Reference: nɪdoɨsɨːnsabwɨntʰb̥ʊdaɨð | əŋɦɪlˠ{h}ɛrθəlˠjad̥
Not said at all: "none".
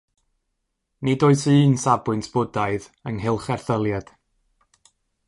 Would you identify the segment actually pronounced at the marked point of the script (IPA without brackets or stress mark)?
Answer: χ